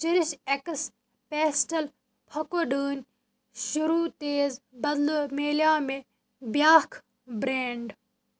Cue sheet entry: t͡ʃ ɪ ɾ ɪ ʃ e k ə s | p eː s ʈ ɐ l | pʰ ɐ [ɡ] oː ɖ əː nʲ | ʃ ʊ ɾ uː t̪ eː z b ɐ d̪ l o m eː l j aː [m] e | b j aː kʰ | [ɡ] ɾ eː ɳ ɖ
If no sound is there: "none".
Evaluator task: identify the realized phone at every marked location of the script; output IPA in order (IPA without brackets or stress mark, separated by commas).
k, m, b